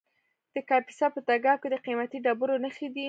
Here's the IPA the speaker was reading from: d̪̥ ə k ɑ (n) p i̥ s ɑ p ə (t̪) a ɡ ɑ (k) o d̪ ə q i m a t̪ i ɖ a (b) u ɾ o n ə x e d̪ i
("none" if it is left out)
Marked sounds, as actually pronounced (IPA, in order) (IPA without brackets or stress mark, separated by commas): none, t̪, k, b